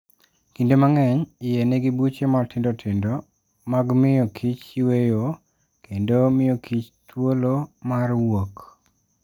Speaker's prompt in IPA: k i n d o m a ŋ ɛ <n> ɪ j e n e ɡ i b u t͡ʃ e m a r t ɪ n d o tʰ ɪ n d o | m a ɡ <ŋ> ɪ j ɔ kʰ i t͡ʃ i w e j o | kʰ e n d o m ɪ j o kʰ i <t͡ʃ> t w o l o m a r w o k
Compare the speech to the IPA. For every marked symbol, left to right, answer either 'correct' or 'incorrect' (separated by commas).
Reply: incorrect, incorrect, correct